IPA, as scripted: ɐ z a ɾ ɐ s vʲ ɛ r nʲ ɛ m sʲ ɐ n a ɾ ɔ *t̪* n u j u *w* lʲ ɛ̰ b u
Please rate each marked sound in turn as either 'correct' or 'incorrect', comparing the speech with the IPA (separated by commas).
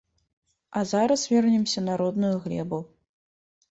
incorrect, incorrect